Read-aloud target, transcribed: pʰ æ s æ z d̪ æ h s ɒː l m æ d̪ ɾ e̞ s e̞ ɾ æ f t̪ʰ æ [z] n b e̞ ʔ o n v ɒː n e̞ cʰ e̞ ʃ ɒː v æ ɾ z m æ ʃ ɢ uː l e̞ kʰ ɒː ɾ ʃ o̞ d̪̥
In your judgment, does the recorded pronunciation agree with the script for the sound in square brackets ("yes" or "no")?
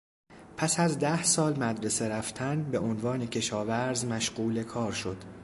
no